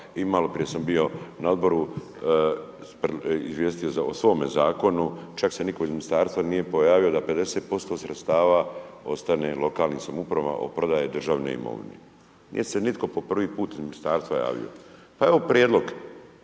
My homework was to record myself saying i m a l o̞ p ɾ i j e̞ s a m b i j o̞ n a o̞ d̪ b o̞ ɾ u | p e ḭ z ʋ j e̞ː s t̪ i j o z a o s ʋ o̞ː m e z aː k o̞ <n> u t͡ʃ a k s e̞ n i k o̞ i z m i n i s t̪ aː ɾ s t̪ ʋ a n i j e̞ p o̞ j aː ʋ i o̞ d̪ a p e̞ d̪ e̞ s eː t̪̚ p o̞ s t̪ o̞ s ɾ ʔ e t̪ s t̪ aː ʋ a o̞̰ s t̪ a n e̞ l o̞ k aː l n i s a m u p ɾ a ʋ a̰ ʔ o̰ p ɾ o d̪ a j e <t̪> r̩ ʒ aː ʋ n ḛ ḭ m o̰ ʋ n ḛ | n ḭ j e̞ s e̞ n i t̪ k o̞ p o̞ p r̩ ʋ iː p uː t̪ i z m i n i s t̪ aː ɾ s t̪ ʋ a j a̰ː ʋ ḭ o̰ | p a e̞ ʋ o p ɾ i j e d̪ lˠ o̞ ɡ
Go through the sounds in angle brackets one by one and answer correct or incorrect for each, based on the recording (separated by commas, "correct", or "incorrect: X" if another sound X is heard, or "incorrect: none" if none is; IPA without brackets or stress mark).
correct, incorrect: d̪